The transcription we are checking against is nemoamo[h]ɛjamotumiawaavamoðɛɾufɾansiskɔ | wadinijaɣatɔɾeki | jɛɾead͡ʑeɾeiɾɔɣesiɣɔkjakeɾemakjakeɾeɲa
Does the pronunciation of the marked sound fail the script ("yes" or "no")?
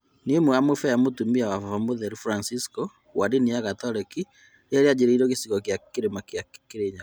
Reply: yes